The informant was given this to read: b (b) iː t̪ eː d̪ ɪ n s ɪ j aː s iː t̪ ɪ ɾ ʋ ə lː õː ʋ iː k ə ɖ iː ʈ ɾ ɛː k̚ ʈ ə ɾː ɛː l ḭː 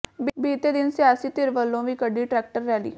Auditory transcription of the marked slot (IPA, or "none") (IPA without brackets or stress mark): b